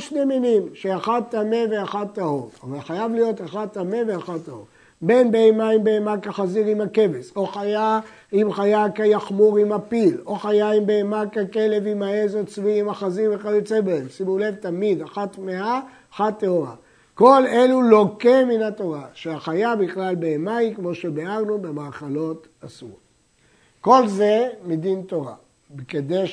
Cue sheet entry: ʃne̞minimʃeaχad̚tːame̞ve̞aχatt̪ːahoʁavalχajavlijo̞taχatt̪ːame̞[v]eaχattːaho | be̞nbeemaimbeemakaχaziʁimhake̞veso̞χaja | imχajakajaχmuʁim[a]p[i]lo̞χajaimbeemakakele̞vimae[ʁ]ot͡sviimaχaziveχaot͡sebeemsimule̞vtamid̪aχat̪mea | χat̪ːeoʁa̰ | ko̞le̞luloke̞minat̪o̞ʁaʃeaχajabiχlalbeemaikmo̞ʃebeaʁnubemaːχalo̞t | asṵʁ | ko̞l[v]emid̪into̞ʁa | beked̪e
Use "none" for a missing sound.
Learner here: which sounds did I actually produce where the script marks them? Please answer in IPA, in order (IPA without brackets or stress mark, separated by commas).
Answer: v, a, i, z, z